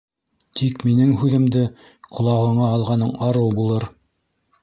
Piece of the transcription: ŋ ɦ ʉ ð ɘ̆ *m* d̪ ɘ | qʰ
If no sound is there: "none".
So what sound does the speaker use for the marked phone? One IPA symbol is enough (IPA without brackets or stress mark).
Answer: m